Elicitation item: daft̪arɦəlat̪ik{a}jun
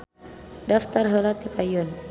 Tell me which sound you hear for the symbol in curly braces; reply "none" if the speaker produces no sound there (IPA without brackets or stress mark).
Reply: a